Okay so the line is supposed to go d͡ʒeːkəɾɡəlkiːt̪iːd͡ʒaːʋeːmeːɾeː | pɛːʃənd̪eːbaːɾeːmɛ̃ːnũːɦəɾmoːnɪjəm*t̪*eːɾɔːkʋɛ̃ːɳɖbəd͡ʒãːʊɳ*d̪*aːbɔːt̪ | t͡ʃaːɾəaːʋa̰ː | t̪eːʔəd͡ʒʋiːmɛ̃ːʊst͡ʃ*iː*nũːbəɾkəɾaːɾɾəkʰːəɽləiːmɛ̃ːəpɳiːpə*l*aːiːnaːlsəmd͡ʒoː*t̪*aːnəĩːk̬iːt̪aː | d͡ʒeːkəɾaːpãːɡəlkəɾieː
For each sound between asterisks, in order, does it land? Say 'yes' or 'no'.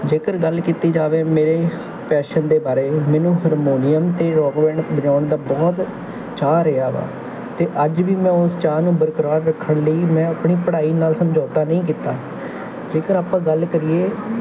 yes, yes, no, no, yes

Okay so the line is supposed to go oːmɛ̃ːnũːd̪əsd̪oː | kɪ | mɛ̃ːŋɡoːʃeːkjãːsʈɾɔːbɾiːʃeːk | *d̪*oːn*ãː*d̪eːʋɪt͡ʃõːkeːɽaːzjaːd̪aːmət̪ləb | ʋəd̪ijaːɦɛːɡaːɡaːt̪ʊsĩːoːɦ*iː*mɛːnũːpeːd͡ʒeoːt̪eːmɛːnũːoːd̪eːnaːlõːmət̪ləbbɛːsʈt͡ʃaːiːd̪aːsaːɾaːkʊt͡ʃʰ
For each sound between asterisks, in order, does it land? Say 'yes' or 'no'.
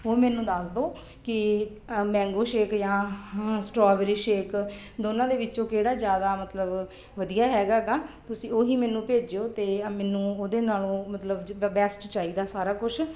yes, yes, yes

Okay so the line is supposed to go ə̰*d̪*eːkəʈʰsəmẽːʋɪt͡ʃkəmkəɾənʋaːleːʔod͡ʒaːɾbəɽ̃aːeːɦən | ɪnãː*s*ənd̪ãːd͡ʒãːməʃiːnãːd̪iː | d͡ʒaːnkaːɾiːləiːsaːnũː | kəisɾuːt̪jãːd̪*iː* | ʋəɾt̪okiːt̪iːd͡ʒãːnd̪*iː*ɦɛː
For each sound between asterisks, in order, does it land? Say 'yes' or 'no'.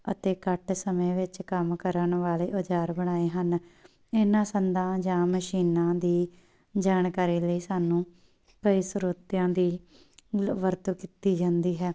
no, yes, yes, yes

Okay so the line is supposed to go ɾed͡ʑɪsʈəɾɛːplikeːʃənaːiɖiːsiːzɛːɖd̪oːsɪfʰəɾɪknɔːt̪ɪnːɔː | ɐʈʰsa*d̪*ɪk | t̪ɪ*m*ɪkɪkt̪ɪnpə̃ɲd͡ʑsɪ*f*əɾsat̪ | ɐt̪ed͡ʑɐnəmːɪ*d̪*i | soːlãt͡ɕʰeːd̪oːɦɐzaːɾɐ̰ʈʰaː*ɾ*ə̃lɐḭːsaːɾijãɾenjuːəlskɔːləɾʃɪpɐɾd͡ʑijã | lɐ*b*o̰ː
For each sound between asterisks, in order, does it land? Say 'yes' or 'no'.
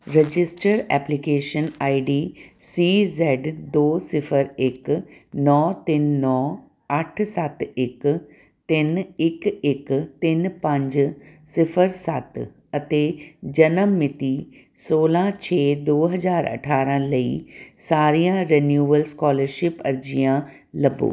no, no, yes, no, yes, yes

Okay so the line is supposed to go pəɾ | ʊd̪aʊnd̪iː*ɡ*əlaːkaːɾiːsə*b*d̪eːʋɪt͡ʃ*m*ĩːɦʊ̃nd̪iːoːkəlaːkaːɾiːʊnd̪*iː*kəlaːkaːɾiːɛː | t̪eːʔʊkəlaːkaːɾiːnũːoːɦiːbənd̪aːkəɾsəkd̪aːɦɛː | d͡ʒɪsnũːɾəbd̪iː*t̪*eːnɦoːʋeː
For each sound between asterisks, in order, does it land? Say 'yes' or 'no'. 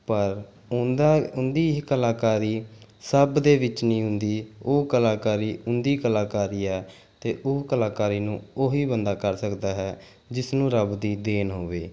no, yes, no, yes, no

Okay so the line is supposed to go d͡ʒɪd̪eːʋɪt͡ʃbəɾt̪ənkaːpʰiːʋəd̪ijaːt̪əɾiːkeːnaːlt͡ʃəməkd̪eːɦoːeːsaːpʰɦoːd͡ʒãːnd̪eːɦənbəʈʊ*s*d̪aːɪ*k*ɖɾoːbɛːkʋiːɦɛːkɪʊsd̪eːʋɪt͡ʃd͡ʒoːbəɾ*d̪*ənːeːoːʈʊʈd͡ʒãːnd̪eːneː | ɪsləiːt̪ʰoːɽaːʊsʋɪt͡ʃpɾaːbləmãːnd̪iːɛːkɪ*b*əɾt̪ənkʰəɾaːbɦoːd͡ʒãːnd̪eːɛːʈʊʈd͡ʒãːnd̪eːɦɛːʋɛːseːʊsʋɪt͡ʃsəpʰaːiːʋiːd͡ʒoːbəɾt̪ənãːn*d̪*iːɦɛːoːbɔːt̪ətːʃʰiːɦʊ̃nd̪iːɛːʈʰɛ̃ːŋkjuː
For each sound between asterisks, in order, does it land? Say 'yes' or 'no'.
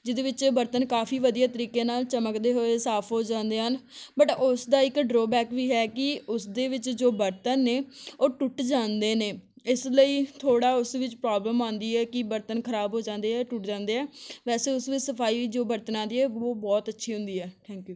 yes, yes, no, yes, yes

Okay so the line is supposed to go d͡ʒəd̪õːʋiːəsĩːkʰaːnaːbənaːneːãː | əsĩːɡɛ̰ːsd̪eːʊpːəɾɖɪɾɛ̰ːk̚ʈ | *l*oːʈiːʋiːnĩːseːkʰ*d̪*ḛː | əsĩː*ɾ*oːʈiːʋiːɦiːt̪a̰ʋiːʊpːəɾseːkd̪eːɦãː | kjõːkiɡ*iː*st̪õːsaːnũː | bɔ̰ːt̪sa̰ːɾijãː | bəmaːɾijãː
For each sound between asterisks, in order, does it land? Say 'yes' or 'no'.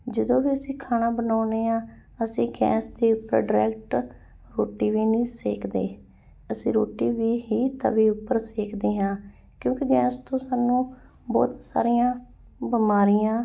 no, yes, yes, no

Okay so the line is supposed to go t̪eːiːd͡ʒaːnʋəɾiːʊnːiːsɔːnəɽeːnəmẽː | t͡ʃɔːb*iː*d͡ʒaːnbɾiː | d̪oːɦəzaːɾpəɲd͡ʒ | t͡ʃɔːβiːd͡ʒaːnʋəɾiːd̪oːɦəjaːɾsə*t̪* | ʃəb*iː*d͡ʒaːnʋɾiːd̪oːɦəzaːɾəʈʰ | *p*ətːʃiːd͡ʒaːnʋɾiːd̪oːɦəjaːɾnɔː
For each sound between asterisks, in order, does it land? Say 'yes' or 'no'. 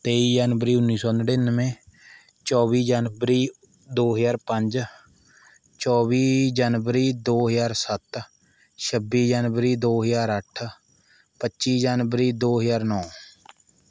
yes, yes, yes, yes

